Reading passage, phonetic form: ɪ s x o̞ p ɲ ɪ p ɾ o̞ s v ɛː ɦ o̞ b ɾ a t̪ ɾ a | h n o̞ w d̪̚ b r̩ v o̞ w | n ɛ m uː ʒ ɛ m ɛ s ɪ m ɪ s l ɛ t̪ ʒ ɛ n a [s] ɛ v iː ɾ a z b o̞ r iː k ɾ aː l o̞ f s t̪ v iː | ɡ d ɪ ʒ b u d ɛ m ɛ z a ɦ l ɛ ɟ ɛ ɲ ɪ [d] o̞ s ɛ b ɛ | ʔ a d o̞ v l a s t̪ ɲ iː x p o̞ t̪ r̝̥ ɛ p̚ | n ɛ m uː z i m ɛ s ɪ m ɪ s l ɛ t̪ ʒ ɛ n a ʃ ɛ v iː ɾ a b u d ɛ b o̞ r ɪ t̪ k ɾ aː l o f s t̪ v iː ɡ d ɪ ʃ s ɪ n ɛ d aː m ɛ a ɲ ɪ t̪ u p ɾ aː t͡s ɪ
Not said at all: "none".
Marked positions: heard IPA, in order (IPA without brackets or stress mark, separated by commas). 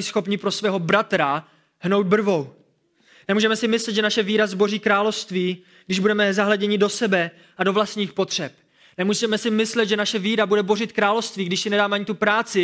ʃ, d